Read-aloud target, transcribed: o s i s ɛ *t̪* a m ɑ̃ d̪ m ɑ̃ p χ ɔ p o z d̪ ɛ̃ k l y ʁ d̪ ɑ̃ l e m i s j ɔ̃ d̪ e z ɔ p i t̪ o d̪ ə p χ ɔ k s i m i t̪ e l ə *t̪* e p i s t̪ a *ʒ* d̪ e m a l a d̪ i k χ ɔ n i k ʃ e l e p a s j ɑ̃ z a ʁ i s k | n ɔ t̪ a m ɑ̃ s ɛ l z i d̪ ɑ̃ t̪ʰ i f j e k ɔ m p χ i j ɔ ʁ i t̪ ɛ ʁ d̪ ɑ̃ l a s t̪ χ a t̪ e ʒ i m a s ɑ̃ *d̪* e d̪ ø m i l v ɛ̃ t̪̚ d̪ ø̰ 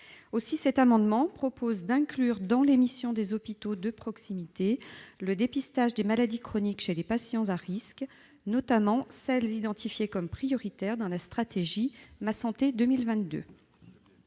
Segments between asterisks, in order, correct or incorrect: correct, incorrect: d̪, correct, incorrect: t̪

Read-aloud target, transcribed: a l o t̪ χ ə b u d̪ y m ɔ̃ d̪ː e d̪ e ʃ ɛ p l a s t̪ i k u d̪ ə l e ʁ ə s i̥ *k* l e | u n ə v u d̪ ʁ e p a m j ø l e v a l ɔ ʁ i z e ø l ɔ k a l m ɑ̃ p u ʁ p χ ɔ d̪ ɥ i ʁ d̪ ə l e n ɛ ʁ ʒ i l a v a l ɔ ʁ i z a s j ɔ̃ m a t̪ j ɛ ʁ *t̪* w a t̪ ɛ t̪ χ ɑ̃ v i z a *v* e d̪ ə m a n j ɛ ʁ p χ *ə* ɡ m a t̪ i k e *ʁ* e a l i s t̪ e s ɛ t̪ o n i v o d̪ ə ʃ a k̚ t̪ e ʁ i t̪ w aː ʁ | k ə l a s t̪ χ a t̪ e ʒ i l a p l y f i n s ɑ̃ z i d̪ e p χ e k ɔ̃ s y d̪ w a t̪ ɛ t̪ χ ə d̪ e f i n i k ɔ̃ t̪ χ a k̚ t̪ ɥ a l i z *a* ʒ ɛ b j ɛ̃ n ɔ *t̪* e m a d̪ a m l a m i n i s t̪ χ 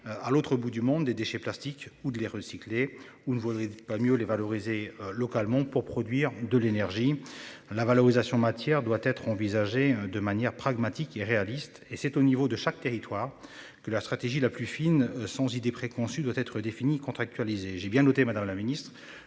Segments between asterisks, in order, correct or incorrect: correct, incorrect: d̪, incorrect: ʒ, incorrect: a, correct, incorrect: e, correct

